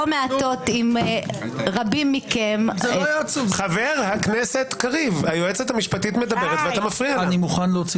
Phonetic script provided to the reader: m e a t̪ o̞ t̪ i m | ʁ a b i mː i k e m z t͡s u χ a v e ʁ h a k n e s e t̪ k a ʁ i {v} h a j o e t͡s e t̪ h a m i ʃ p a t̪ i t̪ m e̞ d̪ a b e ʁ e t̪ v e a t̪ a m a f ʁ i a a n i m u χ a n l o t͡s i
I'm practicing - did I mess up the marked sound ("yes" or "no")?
no